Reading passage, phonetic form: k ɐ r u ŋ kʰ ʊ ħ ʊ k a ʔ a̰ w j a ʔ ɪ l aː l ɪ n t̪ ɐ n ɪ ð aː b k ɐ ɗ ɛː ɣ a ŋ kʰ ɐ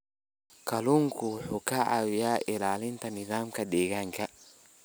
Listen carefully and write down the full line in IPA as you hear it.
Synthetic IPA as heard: k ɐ l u ŋ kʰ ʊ ħ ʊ k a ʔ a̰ w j a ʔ ɪ l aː l ɪ n t̪ ɐ n ɪ ð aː m k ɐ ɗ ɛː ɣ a ŋ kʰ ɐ